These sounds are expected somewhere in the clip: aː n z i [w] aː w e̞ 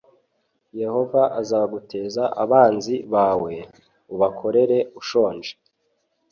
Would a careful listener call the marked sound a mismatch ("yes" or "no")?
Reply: yes